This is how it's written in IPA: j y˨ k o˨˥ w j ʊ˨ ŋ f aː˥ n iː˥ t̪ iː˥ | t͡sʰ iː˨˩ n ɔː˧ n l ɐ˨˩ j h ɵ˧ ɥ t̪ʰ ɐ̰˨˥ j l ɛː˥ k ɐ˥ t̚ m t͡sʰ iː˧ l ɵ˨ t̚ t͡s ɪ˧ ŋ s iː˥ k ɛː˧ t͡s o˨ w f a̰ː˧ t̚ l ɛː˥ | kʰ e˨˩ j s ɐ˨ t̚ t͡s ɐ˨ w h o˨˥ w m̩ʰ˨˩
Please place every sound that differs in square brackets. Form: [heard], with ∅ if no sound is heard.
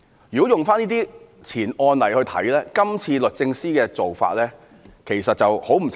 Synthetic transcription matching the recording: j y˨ k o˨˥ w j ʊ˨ ŋ f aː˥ n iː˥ t̪ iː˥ | t͡sʰ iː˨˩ n ɔː˧ n l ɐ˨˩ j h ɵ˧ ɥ t̪ʰ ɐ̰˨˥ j l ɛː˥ k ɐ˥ [∅] m t͡sʰ iː˧ l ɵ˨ t̚ t͡s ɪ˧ ŋ s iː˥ k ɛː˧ t͡s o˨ w f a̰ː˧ t̚ l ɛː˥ | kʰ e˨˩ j s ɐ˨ t̚ t͡s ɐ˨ w h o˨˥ w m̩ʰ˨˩